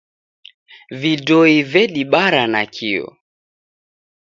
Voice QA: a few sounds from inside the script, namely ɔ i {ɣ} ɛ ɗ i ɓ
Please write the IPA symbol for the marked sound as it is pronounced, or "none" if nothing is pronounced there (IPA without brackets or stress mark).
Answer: v